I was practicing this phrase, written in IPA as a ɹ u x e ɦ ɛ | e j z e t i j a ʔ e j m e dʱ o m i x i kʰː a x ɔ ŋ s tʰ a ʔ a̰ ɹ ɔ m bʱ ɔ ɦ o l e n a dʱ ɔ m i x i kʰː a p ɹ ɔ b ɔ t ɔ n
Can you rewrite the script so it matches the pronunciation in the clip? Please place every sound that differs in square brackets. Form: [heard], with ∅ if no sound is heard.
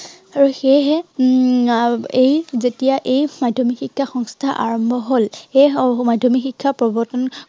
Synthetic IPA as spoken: a ɹ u x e ɦ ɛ | e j z e t i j a ʔ e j m [a] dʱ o m i x i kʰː a x ɔ ŋ s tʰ a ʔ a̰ ɹ ɔ m bʱ ɔ ɦ o l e [m] a dʱ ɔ m i x i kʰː a p ɹ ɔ b ɔ t ɔ n